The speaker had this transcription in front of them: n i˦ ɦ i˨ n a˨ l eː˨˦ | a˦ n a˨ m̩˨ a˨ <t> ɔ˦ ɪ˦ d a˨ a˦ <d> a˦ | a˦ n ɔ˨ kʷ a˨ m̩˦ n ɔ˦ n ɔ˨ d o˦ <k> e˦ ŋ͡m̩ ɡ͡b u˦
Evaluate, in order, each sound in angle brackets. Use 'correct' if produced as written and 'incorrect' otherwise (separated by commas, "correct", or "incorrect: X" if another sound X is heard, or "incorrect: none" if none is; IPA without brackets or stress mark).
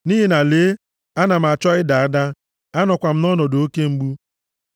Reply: incorrect: t͡ʃ, correct, correct